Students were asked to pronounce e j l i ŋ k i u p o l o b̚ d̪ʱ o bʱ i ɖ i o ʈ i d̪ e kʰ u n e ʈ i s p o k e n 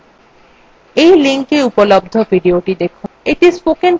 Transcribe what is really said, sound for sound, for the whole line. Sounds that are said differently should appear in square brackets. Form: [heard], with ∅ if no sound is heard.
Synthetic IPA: e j l i ŋ k [e] u p o l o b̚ d̪ʱ o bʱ i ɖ i o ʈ i d̪ e kʰ u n e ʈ i s p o k e n